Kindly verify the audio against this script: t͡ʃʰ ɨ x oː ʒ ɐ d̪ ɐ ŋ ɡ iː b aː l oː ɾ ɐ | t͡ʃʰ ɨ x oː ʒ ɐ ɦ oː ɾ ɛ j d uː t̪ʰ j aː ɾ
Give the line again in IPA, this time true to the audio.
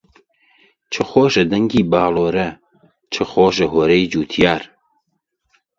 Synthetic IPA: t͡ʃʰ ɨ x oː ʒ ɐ d̪ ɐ ŋ ɡ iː b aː l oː ɾ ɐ | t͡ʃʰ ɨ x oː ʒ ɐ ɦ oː ɾ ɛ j d͡ʒ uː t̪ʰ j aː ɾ